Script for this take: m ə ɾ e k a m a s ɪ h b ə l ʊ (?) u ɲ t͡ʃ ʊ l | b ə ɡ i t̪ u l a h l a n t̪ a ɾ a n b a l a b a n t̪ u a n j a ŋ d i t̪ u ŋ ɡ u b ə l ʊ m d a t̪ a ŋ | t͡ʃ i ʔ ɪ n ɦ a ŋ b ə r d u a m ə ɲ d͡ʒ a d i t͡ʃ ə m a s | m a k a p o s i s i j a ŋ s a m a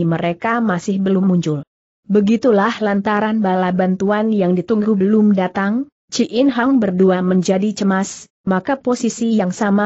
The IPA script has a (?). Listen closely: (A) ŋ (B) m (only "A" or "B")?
B